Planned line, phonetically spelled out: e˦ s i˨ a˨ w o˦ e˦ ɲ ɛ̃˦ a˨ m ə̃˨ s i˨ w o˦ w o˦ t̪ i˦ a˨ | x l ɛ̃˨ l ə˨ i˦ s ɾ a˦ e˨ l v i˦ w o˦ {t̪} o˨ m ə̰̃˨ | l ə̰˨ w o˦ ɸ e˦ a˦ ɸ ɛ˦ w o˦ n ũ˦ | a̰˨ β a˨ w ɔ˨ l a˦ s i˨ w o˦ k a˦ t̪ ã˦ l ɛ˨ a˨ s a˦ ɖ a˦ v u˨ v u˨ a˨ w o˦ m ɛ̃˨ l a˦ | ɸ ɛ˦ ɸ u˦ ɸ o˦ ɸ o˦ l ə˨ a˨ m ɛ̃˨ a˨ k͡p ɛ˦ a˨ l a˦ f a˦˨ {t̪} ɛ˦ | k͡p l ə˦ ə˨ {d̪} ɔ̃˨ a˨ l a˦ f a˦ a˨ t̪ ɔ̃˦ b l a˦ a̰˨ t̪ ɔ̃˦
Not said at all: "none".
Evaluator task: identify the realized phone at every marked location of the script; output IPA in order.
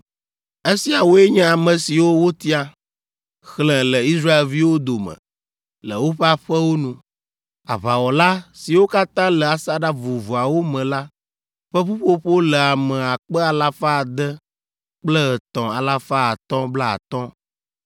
d̪, d̪, t̪

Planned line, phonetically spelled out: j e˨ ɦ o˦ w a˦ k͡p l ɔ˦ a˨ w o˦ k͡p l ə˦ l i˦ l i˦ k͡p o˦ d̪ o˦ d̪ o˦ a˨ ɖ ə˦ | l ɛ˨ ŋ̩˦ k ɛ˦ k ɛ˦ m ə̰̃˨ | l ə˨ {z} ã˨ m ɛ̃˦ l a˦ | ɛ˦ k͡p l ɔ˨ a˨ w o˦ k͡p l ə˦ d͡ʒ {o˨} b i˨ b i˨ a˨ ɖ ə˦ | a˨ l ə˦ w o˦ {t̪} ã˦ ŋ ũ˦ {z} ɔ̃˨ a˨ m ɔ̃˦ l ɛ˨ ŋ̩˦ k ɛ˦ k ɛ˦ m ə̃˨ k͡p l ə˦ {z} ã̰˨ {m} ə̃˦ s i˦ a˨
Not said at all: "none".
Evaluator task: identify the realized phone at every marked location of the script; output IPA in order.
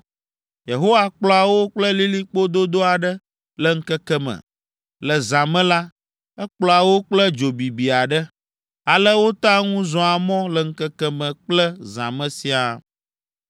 z, o˨, t̪, z, z, m

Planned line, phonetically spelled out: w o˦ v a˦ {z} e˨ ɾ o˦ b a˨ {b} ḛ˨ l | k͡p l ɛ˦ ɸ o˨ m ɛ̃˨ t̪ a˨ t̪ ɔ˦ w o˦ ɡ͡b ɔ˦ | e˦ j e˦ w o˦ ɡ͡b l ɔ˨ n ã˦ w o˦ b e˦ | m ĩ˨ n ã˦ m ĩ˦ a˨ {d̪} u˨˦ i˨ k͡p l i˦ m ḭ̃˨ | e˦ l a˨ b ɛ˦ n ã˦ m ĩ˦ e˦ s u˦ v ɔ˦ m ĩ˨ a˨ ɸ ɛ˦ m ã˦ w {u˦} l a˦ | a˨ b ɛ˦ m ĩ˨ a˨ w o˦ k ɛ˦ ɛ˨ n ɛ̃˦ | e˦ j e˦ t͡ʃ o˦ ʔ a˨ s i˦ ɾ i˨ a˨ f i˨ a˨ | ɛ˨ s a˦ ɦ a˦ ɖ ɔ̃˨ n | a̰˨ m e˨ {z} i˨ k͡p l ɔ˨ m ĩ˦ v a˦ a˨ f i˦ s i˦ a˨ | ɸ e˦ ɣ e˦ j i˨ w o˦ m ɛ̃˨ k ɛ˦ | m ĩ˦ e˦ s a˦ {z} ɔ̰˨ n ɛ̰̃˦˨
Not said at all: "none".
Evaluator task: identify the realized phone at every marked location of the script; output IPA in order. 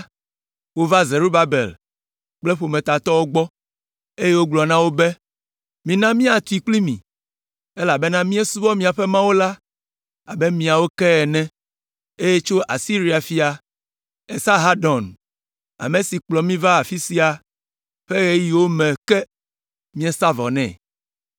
z, b, t̪, o˦, s, v

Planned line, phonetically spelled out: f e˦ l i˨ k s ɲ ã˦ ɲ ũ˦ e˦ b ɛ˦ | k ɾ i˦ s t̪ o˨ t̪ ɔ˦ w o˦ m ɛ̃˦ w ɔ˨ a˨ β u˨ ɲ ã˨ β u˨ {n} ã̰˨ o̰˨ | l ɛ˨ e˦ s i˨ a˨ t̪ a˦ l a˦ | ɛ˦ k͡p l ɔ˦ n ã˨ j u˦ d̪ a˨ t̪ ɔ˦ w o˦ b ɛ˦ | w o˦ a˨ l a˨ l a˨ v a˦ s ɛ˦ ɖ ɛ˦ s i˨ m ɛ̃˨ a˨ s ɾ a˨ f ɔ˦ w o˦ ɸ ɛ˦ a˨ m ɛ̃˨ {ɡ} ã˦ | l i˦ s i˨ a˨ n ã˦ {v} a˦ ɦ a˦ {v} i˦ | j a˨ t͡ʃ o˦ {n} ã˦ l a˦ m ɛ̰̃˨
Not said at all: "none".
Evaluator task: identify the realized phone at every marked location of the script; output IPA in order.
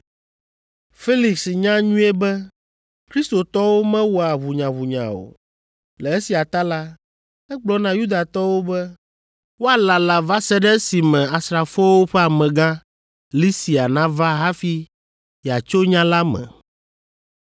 ɲ, ɡ, v, f, ɲ

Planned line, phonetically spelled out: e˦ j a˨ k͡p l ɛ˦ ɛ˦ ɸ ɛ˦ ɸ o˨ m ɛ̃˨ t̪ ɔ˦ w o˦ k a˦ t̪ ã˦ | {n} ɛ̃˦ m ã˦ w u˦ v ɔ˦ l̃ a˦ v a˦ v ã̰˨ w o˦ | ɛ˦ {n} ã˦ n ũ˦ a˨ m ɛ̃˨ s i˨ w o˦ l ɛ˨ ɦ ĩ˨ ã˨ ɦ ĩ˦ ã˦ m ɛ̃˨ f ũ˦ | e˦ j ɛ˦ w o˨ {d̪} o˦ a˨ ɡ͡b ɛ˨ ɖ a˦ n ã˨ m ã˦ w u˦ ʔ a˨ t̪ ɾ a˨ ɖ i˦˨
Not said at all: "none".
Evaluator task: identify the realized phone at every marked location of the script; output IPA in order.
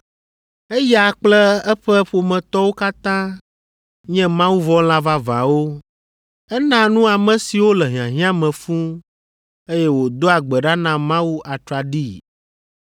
ɲ, n, d̪

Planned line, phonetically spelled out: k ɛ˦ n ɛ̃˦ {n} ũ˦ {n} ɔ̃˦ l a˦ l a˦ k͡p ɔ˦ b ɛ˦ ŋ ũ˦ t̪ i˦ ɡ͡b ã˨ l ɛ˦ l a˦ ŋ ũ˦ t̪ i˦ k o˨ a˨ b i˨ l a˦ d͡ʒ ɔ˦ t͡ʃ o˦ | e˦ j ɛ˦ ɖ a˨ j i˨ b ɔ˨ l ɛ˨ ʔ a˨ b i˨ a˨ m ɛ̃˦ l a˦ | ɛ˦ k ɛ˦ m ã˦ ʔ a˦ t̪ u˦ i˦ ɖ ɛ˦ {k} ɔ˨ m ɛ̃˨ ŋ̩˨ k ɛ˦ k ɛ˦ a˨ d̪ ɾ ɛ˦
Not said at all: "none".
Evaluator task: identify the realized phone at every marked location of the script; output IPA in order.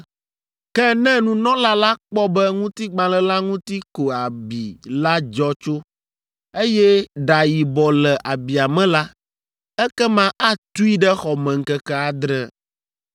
n, n, x

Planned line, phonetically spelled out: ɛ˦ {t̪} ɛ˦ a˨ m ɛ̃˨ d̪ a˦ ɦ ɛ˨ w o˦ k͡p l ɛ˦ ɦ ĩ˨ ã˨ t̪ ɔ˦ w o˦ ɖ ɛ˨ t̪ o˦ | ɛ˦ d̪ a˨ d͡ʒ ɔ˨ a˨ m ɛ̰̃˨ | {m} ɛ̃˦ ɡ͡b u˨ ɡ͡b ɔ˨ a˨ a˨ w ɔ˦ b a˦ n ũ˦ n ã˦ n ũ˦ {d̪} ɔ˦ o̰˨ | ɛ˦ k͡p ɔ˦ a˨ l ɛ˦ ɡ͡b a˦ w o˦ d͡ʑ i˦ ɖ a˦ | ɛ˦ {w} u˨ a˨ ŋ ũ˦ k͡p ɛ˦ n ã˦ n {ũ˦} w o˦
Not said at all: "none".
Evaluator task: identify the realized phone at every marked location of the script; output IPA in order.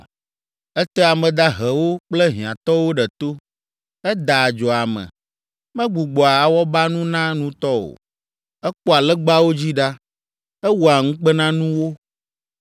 t̪, m, t̪, w, ũ˦

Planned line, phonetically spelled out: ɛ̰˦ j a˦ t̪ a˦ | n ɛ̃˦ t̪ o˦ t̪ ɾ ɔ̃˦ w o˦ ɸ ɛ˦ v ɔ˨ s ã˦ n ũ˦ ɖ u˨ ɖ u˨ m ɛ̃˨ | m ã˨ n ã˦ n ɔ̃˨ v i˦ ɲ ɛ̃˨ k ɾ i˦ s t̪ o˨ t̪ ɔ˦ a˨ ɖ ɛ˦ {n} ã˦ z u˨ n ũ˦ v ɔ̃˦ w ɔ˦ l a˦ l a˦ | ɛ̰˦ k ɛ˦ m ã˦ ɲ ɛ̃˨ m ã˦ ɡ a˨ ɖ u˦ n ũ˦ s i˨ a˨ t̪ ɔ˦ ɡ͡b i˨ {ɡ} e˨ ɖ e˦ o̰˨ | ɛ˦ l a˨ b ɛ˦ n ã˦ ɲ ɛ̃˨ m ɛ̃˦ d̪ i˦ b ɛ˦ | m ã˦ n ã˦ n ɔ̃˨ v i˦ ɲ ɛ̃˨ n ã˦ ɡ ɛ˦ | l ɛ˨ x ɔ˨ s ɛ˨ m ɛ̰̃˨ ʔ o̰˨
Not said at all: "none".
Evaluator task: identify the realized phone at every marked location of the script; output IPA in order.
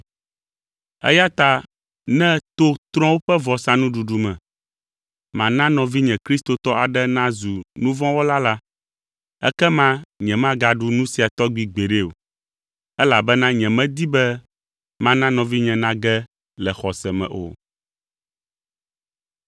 n, ɡ͡b

